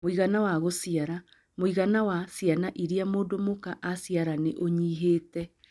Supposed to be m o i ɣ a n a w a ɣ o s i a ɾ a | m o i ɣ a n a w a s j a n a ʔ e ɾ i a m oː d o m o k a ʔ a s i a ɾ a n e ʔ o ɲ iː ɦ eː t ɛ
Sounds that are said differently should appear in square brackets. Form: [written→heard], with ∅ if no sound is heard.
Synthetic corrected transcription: m o i ɣ a n a w a ɣ o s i a ɾ a | m o i ɣ a n a w a s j a n a ʔ [e→i] ɾ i a m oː d o m o k a ʔ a s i a ɾ a n e ʔ o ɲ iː ɦ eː t ɛ